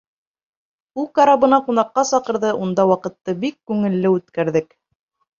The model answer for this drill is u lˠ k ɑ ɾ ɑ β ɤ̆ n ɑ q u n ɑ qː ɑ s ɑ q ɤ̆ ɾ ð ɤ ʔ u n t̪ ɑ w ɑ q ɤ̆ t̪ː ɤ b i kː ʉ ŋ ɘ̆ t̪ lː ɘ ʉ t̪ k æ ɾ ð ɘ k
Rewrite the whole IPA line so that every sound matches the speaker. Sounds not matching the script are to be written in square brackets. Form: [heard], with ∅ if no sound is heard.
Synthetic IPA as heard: u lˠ k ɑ ɾ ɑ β ɤ̆ n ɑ q u n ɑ qː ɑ s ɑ q ɤ̆ ɾ ð ɤ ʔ u n [d̪] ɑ w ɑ q ɤ̆ t̪ː ɤ b i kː ʉ ŋ ɘ̆ [∅] lː ɘ ʉ t̪ k æ ɾ ð ɘ k